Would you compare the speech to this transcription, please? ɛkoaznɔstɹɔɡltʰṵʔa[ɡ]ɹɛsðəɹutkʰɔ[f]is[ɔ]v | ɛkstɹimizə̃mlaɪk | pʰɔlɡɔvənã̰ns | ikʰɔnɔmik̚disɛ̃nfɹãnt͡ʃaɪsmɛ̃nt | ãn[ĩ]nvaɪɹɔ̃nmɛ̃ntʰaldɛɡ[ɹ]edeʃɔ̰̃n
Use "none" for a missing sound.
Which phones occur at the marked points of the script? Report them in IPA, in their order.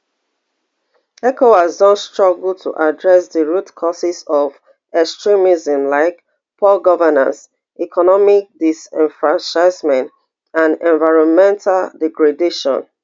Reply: d, s, ɔ, ɛ̃, ɹ

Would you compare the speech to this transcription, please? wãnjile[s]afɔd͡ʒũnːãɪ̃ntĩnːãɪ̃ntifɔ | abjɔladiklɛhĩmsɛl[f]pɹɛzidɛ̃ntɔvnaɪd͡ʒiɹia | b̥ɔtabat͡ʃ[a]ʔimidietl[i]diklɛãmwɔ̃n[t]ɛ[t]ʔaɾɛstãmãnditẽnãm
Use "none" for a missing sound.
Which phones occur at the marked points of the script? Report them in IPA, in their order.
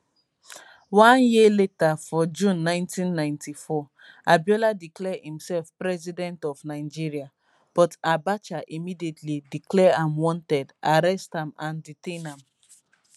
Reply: t, f, a, i, t, d

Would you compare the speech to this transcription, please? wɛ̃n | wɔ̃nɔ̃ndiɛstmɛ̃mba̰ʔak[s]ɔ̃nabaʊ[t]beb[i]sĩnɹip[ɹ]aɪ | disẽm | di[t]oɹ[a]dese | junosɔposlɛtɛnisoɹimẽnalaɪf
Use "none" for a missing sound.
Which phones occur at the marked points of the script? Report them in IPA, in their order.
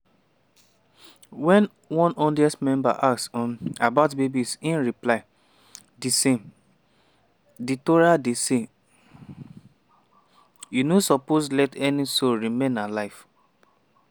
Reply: s, t, i, l, t, a

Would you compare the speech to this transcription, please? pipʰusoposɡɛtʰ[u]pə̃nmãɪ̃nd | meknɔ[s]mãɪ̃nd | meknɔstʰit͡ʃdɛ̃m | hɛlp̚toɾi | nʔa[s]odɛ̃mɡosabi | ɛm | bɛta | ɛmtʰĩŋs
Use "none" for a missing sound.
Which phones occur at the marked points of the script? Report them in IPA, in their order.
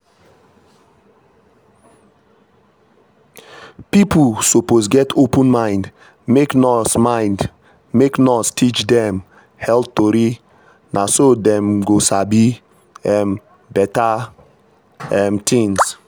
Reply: o, s, s

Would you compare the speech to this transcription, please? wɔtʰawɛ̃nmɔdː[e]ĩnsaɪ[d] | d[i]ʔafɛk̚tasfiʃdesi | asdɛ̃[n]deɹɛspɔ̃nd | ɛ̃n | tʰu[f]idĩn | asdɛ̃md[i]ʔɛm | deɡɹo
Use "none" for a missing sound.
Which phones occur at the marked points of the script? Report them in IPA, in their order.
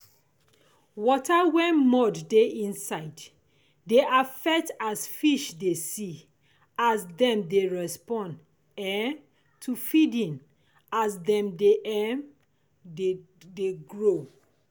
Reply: e, d, e, m, f, e

